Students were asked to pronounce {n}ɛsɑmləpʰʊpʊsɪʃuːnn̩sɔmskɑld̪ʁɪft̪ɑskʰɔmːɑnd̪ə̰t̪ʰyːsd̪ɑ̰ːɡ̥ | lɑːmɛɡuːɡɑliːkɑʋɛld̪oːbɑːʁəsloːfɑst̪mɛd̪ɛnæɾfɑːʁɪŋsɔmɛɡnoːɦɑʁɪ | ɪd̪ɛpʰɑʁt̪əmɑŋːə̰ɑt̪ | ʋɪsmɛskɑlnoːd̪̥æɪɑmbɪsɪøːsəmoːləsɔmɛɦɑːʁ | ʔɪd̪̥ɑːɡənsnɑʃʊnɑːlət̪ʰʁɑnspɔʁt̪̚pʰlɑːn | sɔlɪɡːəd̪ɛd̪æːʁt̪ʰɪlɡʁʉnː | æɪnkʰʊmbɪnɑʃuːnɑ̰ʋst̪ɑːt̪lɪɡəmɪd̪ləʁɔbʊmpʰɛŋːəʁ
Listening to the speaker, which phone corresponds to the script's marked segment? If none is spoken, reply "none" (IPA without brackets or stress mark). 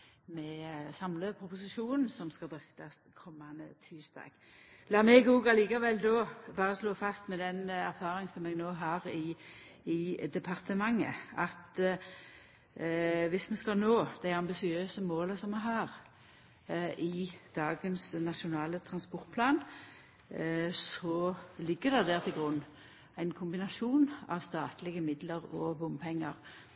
m